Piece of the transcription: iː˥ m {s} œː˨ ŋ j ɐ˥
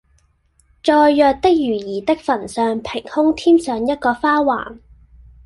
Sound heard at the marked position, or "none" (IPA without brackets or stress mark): s